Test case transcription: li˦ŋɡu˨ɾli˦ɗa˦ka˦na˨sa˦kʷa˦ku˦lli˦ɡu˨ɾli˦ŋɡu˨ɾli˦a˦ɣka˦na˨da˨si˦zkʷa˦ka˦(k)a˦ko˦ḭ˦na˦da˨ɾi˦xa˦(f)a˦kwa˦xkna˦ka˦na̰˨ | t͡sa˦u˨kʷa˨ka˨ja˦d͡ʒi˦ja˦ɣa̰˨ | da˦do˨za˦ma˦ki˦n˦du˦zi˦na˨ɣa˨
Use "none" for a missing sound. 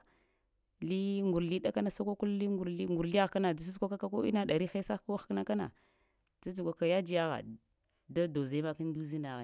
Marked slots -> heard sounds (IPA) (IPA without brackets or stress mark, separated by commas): k, s